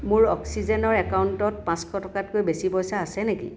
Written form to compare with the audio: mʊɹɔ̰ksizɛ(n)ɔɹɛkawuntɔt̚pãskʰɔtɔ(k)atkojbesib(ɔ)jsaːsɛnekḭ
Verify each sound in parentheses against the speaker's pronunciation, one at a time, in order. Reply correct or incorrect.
correct, correct, correct

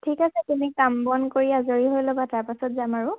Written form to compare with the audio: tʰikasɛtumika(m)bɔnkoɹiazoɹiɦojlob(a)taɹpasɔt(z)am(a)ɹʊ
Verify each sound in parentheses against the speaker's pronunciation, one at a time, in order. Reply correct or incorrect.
correct, correct, correct, correct

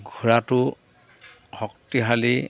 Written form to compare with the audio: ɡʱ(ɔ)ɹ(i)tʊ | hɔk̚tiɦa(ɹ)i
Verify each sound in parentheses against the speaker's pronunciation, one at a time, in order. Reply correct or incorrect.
incorrect, incorrect, incorrect

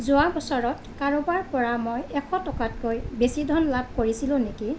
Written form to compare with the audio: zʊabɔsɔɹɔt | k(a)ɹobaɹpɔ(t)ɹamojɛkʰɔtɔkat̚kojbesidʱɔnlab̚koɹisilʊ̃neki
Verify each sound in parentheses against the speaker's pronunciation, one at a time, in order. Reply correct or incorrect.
correct, incorrect

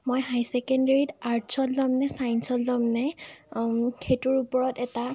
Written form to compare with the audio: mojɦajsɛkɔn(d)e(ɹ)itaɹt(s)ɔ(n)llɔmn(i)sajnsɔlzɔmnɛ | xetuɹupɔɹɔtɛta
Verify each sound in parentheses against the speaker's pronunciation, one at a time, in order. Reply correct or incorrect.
correct, correct, correct, incorrect, incorrect

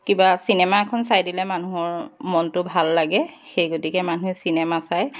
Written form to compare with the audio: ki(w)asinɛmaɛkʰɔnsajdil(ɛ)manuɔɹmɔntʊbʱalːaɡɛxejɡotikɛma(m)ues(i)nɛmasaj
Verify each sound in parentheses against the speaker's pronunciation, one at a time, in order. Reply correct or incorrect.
incorrect, correct, incorrect, correct

